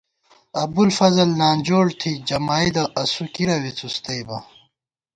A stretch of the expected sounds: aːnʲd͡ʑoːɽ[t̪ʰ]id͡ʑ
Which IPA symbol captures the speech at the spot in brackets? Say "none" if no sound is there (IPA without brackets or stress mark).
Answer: t̪ʰ